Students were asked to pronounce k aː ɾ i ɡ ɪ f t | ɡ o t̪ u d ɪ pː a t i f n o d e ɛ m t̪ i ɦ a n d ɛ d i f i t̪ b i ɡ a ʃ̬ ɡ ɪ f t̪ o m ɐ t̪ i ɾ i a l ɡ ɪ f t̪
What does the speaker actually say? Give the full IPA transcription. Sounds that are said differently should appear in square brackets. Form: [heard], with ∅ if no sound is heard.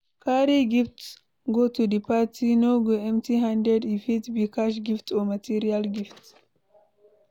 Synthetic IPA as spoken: k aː ɾ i ɡ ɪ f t | ɡ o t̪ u d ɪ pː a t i [∅] n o [ɡ] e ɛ m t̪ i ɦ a n d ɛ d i f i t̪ b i [k] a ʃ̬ ɡ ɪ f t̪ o m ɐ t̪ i ɾ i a l ɡ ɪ f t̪